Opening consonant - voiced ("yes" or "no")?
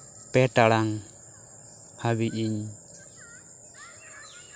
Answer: no